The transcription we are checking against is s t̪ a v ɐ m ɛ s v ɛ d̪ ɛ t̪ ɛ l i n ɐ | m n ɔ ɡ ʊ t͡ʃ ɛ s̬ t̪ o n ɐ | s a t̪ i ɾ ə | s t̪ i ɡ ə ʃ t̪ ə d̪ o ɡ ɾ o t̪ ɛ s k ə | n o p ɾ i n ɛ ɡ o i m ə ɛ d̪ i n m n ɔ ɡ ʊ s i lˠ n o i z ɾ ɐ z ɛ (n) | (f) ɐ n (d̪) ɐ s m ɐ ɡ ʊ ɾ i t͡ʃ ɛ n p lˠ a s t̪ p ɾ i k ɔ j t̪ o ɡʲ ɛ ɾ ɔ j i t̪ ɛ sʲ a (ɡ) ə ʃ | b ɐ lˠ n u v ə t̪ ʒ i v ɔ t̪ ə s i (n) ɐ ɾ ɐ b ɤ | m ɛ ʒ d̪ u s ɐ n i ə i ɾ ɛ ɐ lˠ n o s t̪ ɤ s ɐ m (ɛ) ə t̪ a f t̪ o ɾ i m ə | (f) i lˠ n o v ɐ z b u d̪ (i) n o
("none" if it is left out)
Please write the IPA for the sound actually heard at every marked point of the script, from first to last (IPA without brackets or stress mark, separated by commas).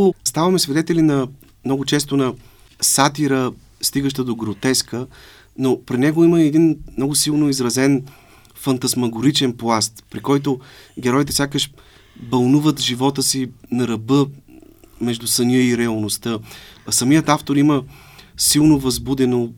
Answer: n, f, t̪, k, n, i, s, ɛ